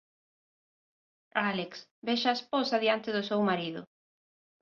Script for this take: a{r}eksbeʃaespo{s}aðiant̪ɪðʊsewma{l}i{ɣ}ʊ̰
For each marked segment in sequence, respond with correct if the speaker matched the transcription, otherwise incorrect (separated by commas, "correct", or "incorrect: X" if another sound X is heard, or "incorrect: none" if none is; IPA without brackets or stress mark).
incorrect: l, correct, incorrect: ɾ, incorrect: ð